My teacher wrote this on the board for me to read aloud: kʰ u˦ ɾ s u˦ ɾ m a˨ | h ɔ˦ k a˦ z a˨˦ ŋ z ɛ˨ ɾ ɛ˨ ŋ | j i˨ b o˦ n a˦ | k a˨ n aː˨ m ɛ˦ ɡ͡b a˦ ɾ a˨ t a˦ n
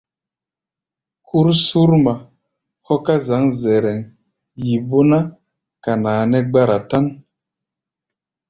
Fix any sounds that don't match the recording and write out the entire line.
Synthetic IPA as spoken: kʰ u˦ ɾ s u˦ ɾ m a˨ | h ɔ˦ k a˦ z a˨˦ ŋ z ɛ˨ ɾ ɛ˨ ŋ | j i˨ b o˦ n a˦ | k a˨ n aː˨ n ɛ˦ ɡ͡b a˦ ɾ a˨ t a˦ n